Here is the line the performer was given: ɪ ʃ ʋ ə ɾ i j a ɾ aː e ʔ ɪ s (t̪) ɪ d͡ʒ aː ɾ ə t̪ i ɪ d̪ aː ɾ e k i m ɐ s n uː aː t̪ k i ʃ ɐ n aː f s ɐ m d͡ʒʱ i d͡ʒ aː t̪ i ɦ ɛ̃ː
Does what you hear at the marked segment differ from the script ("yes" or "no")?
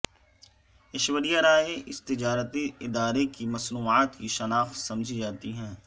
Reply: no